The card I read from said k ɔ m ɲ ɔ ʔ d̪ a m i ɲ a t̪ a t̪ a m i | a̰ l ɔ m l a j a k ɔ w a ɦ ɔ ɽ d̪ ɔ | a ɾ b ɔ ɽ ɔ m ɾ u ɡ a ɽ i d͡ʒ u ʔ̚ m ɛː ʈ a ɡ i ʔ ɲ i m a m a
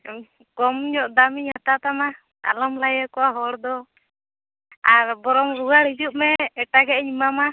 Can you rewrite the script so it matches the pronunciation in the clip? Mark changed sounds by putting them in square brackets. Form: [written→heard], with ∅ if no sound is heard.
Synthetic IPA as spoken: k ɔ m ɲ ɔ ʔ d̪ a m i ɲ a t̪ a t̪ a m [i→a] | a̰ l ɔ m l a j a k ɔ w a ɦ ɔ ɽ d̪ ɔ | a ɾ b ɔ [ɽ→ɾ] ɔ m ɾ u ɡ a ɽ i d͡ʒ u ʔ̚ m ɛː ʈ a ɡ [i→ɛ] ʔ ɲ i m a m a